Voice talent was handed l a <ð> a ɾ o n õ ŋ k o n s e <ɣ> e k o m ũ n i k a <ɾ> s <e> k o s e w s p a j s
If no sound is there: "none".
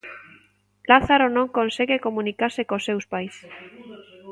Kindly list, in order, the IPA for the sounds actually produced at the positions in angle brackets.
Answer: θ, ɣ, ɾ, e

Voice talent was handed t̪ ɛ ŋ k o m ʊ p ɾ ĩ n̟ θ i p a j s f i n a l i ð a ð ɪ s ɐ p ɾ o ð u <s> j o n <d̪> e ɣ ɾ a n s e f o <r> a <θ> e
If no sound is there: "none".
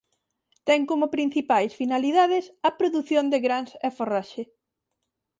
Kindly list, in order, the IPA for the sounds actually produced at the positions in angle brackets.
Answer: θ, d̪, r, ʃ

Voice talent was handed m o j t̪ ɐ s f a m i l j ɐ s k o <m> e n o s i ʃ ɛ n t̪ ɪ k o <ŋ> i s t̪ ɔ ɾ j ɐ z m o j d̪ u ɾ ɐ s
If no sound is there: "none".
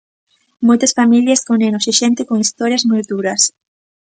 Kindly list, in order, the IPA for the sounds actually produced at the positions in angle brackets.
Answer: n, ŋ

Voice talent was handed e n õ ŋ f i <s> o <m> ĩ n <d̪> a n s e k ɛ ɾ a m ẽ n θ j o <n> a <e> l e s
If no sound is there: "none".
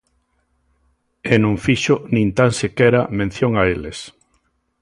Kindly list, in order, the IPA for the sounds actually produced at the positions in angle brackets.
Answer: ʃ, n, t̪, ŋ, e

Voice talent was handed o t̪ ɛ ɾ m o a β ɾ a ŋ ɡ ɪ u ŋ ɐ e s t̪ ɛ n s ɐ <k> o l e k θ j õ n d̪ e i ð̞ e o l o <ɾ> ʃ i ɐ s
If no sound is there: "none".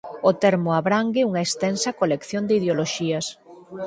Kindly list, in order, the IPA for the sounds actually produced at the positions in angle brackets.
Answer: k, none

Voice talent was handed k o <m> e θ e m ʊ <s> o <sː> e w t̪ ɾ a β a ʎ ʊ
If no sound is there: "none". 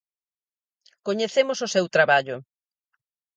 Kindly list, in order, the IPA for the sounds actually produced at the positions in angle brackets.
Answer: ɲ, s, s

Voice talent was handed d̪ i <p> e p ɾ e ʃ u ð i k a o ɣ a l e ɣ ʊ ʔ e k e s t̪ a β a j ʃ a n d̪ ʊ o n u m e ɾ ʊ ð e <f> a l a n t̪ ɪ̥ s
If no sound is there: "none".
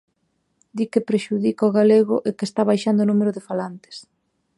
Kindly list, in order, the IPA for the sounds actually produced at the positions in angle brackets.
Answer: k, f

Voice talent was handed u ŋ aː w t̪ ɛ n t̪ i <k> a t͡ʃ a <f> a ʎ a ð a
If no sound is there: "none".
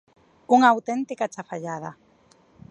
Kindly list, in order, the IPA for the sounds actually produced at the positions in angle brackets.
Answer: k, f

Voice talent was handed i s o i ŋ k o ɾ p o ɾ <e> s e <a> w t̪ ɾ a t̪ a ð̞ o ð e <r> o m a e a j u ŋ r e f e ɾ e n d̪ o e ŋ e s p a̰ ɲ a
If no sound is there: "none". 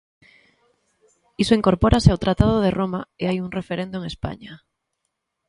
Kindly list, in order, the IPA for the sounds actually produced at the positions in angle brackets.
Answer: a, a, r

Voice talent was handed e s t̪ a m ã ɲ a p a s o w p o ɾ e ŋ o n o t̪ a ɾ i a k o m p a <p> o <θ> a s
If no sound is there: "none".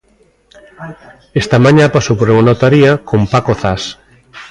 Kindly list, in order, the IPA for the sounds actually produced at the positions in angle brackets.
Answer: k, θ

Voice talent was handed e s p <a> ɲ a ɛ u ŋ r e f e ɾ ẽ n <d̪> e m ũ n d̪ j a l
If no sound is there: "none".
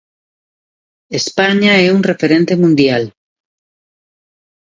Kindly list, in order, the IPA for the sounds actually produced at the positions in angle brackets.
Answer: a, t̪

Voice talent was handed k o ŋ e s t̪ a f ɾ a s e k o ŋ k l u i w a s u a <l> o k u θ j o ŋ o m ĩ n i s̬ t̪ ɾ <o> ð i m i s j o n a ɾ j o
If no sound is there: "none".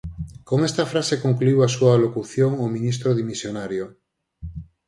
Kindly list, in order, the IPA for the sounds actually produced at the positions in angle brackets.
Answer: l, o

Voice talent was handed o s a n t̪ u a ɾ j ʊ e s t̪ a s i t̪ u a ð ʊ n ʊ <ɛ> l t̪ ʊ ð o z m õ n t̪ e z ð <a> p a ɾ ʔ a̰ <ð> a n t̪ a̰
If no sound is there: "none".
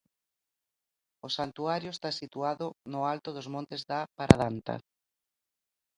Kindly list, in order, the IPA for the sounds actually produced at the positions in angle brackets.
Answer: a, a, ð

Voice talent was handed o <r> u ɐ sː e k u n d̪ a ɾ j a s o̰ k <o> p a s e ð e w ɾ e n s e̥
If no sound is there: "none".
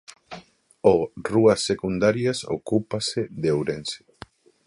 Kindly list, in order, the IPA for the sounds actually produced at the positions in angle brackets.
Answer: r, u

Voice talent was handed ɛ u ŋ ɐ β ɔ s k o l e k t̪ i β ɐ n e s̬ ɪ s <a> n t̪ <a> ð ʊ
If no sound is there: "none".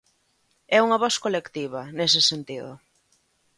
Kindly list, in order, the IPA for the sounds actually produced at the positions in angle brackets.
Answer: e, i

